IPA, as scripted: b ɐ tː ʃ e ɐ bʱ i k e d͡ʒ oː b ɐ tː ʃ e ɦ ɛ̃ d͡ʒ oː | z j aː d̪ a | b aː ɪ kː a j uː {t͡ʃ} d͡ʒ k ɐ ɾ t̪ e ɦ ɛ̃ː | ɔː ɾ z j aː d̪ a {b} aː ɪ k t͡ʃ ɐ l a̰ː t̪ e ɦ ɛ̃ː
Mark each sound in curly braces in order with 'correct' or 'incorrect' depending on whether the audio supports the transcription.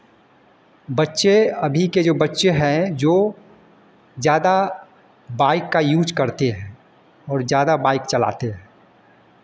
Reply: incorrect, correct

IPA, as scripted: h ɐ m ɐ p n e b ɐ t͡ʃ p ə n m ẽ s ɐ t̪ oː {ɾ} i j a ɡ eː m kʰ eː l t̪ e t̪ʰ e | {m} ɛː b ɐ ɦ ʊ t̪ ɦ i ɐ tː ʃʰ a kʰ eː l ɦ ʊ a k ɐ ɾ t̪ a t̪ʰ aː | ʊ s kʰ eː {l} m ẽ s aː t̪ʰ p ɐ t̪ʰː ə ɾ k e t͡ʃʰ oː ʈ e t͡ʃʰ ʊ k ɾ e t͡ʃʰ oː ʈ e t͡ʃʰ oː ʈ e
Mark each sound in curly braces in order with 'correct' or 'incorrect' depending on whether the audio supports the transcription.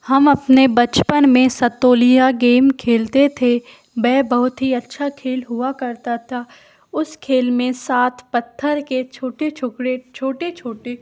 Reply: incorrect, incorrect, correct

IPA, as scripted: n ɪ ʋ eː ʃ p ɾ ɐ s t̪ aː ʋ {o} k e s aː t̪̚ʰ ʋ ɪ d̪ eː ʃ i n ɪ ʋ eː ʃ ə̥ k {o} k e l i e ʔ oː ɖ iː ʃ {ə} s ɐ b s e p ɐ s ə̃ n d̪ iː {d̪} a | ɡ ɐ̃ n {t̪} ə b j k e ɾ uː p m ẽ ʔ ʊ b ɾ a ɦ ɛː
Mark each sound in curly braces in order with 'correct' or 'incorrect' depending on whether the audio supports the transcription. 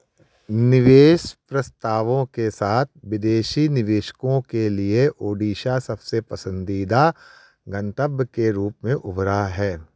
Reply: incorrect, incorrect, incorrect, correct, correct

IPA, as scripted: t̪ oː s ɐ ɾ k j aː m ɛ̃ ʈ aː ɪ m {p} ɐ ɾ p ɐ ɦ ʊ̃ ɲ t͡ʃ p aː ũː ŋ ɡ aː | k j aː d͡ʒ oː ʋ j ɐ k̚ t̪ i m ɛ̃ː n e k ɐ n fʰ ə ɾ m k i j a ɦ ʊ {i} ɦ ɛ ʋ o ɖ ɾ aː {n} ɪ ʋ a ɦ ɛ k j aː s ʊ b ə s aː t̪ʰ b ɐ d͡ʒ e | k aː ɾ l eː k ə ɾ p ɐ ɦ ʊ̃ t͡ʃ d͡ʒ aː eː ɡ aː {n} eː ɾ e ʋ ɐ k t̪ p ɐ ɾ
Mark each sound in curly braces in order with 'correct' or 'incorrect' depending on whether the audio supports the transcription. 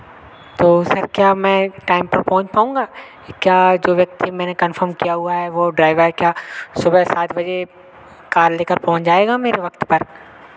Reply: correct, incorrect, incorrect, incorrect

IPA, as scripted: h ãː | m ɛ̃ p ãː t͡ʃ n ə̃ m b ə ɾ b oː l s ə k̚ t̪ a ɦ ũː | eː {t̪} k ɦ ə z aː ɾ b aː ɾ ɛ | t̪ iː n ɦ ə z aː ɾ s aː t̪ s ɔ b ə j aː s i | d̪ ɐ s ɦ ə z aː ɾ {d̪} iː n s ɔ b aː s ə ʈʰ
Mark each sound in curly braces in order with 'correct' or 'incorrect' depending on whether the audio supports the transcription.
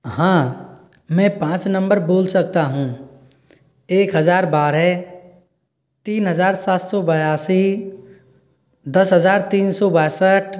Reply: incorrect, incorrect

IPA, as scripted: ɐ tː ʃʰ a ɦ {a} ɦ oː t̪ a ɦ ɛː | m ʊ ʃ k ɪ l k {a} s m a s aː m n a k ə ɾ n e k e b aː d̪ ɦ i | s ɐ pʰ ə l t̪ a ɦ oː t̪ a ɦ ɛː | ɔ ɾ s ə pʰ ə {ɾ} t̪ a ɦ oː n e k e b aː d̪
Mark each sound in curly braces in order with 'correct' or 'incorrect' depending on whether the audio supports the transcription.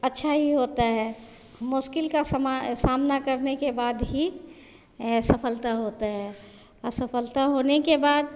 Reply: incorrect, correct, incorrect

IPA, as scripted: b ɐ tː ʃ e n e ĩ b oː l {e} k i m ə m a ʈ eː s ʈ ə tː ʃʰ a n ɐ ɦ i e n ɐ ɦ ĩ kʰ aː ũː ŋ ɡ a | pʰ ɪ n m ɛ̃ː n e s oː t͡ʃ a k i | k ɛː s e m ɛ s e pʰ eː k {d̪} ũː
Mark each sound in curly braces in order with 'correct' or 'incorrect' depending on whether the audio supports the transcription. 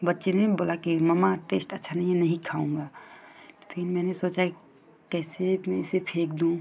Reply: incorrect, correct

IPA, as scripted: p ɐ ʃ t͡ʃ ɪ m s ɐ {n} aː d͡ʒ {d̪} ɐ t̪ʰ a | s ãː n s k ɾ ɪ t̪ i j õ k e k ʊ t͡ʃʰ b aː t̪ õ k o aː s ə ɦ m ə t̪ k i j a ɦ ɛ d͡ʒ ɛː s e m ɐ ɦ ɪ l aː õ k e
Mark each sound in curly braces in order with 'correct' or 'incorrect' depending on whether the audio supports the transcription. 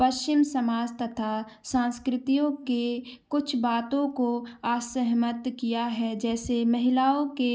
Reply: incorrect, incorrect

